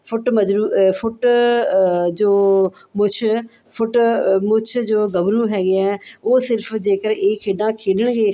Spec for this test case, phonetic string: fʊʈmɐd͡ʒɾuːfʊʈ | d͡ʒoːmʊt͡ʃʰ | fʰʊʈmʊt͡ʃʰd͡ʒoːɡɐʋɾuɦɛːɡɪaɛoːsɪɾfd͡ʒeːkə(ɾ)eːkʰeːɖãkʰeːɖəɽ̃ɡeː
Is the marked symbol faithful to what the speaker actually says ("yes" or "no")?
yes